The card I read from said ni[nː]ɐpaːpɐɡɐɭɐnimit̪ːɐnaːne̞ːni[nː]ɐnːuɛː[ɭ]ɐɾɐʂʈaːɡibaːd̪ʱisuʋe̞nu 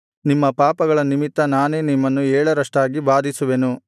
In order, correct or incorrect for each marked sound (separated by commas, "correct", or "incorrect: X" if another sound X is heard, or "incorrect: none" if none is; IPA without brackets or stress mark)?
incorrect: mː, incorrect: mː, correct